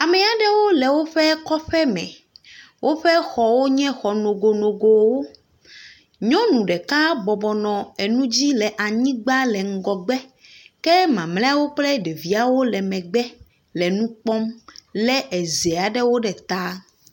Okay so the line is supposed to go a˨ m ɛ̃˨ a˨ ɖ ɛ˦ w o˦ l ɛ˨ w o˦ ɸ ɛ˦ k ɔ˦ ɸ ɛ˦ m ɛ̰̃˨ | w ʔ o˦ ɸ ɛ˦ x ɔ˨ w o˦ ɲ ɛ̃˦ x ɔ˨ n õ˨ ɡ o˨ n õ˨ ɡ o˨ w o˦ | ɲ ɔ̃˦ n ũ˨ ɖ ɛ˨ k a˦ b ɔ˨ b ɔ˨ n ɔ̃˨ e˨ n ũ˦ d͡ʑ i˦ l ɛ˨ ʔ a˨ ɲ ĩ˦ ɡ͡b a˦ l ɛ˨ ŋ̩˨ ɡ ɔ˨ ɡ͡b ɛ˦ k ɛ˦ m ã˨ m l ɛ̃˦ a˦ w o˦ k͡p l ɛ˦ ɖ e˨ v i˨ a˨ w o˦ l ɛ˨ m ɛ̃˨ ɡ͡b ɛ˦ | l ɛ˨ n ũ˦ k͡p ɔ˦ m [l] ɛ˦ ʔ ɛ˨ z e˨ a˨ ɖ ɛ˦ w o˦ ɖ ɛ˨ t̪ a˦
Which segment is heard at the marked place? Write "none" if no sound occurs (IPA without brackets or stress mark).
l